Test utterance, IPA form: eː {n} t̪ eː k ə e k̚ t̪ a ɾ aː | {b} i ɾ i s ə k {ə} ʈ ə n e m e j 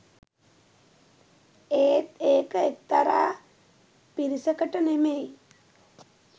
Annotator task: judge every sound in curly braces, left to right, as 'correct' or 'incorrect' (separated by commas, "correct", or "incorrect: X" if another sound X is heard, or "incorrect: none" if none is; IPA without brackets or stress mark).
incorrect: none, incorrect: p, correct